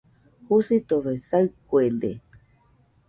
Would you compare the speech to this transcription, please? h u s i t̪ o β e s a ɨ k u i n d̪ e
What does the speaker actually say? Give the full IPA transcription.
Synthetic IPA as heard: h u s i t̪ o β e s a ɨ k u e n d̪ e